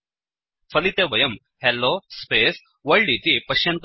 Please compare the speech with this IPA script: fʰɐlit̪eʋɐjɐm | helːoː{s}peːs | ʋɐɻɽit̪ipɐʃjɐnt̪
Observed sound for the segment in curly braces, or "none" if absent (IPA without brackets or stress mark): s